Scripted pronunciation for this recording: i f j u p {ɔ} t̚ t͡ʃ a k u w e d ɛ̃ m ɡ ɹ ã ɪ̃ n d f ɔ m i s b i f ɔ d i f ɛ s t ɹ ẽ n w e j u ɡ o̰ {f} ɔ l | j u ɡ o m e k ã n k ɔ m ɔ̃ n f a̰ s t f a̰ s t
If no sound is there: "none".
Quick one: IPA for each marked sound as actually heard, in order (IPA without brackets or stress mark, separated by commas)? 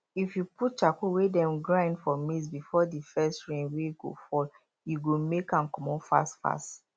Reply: u, f